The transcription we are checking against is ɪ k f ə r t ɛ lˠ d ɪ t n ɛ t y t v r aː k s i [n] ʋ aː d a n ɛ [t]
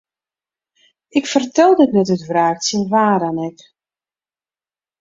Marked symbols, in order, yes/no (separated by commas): yes, no